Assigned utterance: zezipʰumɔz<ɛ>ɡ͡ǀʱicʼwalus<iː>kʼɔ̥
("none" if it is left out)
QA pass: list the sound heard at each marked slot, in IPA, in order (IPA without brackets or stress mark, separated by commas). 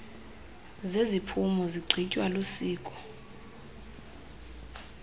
i, iː